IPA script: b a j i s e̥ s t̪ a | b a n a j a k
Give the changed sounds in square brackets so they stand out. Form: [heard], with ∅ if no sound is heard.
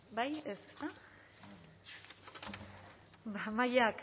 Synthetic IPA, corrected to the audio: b a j [e] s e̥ s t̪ a | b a [m] a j a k